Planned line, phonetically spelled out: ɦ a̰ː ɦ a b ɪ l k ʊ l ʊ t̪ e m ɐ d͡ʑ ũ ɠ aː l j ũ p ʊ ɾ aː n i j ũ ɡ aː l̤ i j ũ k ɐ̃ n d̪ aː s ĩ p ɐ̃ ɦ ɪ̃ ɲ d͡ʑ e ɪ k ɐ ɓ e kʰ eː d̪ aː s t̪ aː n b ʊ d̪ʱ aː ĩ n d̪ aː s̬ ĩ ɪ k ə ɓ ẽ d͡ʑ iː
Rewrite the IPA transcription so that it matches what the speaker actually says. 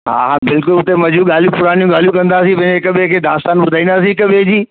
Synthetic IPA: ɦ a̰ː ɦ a b ɪ l k ʊ l ʊ t̪ e m ɐ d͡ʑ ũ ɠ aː l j ũ p ʊ ɾ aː n i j ũ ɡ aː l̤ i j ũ k ɐ̃ n d̪ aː s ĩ p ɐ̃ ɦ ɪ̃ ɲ d͡ʑ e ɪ k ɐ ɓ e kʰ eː d̪ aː s t̪ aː n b ʊ d̪ʱ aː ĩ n d̪ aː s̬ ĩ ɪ k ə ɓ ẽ d͡ʑ iː